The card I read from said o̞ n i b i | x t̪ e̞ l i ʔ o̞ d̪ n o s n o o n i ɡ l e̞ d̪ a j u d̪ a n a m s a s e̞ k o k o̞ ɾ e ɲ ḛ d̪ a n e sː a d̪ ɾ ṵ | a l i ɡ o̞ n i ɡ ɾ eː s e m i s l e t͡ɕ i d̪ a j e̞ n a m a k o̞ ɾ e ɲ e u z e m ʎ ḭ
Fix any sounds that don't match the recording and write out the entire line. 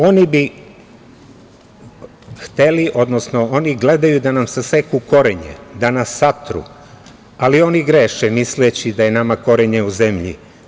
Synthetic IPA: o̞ n i b i | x t̪ e̞ l i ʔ o̞ d̪ n o s n o o n i ɡ l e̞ d̪ a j u d̪ a n a m s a s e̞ k u k o̞ ɾ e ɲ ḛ d̪ a n a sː a t̪ ɾ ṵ | a l i o̞ n i ɡ ɾ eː ʃ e m i s l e t͡ɕ i d̪ a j e̞ n a m a k o̞ ɾ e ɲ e u z e m ʎ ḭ